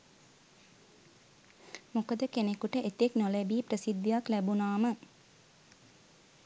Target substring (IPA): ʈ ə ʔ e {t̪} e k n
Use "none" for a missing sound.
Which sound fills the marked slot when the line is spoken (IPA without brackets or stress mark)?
t̪